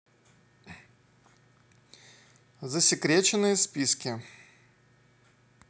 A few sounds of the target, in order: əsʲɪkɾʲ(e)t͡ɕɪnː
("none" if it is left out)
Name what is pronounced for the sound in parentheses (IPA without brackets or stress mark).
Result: e